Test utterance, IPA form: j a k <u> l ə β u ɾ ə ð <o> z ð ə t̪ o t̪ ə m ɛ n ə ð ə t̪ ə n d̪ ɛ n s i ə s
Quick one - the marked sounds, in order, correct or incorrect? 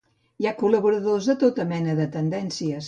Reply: correct, correct

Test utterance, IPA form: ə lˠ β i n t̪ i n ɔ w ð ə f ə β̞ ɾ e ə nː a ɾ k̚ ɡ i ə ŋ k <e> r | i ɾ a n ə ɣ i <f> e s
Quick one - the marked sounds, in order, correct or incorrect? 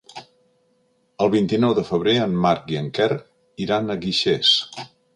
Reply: incorrect, incorrect

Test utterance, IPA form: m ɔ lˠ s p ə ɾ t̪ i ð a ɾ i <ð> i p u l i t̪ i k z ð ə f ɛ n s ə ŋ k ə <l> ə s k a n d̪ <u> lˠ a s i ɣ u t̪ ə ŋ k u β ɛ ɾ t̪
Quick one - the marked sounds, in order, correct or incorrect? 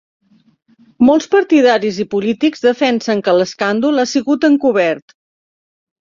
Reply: incorrect, correct, correct

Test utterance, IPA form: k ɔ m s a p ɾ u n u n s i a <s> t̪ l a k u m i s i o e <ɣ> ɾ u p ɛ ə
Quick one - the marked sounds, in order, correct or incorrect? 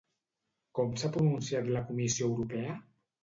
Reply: incorrect, incorrect

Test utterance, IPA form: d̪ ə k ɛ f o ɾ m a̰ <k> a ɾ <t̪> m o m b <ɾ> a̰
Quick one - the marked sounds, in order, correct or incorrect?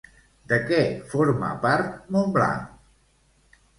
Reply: incorrect, correct, incorrect

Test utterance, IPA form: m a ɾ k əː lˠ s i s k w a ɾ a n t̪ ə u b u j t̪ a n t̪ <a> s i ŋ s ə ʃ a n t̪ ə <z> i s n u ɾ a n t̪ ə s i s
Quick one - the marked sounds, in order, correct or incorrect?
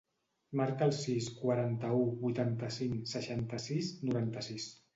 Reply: incorrect, incorrect

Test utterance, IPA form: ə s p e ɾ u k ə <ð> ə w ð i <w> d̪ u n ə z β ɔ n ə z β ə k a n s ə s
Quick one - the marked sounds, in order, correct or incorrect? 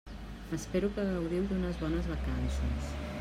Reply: incorrect, correct

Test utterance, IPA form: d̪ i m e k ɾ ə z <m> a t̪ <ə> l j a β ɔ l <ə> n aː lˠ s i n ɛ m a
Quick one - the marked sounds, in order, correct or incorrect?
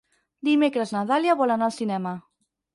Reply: incorrect, incorrect, incorrect

